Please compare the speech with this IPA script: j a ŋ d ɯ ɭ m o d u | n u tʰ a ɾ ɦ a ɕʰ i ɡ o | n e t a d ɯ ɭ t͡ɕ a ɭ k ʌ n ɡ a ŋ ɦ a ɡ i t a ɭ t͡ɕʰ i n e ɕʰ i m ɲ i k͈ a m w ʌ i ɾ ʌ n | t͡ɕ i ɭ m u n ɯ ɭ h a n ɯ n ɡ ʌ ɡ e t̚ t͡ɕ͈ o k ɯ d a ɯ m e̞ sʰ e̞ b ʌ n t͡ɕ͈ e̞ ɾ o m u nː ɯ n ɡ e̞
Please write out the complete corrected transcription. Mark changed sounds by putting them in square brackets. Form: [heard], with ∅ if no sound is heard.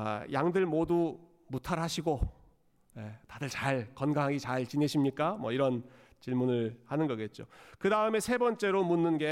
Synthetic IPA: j a ŋ d ɯ ɭ m o d u | [m] u tʰ a ɾ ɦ a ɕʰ i ɡ o | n e t a d ɯ ɭ t͡ɕ a ɭ k ʌ n ɡ a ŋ ɦ a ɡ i [t͡ɕ] a ɭ [t͡ɕ] i n e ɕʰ i m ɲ i k͈ a m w ʌ i ɾ ʌ n | t͡ɕ i ɭ m u n ɯ ɭ h a n ɯ n ɡ ʌ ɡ e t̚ t͡ɕ͈ o k ɯ d a ɯ m e̞ sʰ e̞ b ʌ n t͡ɕ͈ e̞ ɾ o m u nː ɯ n ɡ e̞